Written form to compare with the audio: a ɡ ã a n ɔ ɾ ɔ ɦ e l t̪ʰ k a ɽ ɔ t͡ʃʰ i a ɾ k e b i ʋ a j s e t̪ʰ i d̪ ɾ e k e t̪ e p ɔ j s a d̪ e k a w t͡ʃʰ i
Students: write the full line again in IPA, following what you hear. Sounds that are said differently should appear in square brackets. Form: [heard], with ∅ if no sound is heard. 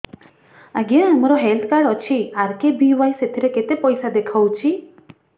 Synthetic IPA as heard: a ɡ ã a [m] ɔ ɾ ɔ ɦ e l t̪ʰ k a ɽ ɔ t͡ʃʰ i a ɾ k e b i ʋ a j s e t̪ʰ i [∅] ɾ e k e t̪ e p ɔ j s a d̪ e [kʰ] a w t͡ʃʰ i